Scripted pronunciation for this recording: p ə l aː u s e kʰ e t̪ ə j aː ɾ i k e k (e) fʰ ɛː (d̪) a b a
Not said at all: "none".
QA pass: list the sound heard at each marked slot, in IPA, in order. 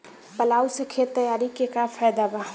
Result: a, d̪

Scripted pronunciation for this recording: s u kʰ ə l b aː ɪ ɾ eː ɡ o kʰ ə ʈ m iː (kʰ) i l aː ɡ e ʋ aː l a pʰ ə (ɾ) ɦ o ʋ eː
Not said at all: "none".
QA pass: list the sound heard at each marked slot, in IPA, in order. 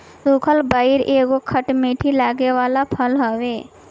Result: ʈʰ, l

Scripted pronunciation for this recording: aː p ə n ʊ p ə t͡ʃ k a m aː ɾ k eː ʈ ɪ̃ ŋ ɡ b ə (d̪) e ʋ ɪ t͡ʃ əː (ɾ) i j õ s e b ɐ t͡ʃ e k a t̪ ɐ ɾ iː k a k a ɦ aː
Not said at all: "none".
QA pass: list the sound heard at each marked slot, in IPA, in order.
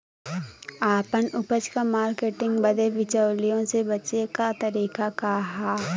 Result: d̪, l

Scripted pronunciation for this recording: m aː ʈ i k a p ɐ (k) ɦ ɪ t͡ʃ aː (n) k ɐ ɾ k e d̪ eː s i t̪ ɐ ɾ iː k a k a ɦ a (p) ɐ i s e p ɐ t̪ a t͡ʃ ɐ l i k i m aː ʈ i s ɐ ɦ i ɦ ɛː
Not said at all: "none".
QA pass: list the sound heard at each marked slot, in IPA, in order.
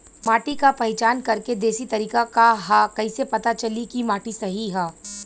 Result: none, n, k

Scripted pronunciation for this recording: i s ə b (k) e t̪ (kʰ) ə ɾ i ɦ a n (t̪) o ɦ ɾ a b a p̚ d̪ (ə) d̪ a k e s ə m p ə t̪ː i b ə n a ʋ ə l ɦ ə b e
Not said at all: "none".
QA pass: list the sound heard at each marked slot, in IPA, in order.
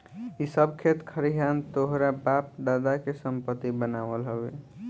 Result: kʰ, kʰ, t̪, a

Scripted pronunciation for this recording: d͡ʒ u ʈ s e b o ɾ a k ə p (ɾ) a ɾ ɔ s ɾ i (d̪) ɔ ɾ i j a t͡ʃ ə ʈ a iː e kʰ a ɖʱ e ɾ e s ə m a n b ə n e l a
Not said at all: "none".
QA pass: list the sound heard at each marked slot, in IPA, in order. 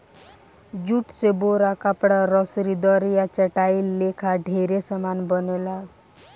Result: ɽ, d̪

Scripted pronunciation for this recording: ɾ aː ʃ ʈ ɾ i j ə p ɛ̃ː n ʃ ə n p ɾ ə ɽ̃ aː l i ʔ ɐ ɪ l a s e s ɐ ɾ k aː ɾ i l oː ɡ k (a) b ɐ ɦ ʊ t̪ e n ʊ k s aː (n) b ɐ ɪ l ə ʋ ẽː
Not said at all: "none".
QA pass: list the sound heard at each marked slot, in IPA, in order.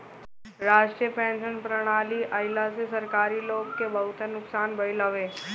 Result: e, n

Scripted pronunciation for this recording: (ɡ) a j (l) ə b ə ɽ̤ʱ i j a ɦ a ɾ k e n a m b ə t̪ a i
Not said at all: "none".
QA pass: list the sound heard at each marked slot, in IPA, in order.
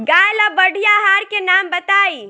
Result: ɡ, l

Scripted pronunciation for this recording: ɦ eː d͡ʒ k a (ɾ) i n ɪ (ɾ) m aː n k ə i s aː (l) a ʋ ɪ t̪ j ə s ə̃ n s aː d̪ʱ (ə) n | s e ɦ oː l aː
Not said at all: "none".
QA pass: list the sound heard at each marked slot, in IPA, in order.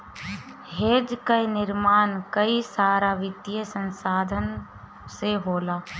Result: none, ɾ, ɾ, ə

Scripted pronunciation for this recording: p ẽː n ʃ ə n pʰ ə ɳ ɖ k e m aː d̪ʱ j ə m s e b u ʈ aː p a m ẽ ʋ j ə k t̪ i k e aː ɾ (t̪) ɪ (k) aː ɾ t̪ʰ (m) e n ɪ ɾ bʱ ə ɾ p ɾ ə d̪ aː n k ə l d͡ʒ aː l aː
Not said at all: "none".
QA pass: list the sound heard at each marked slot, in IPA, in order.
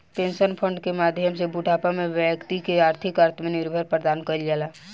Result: t̪ʰ, k, m

